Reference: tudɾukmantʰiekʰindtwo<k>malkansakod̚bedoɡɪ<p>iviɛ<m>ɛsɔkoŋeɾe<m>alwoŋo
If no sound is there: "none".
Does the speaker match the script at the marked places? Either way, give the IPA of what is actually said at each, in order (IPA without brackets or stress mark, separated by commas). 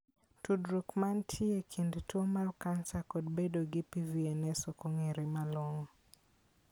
none, p, n, m